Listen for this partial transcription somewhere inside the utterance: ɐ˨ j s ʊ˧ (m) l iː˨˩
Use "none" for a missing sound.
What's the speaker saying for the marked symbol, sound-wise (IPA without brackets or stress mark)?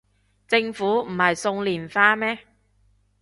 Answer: ŋ